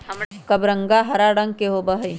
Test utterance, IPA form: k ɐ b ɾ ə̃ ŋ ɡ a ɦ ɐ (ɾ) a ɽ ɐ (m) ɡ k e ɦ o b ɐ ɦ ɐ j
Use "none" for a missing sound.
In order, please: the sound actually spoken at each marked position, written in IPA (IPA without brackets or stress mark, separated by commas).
ɾ, ŋ